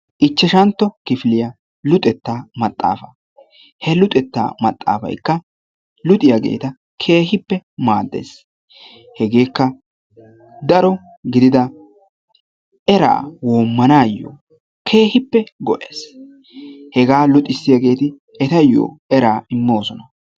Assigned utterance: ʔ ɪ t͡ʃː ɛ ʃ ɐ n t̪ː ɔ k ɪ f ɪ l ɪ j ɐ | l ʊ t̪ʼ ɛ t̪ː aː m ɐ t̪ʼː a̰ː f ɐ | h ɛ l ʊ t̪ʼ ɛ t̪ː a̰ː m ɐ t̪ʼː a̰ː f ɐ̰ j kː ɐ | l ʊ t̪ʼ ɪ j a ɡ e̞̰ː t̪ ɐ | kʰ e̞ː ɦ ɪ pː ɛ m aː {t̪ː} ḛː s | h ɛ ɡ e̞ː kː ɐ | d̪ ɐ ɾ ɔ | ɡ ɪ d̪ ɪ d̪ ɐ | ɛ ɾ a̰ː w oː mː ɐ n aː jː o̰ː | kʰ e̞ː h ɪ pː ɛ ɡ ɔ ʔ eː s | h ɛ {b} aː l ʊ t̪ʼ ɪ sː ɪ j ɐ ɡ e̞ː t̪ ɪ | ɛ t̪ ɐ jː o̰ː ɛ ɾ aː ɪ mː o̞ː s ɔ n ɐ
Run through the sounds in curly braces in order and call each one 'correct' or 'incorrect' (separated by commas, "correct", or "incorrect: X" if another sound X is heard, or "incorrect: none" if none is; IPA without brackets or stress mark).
incorrect: d̪ː, incorrect: ɡ